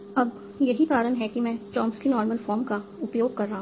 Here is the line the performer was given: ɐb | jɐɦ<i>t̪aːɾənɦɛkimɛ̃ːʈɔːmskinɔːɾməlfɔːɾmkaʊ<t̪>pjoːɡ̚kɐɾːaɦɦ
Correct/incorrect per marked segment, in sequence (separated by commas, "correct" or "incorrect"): correct, incorrect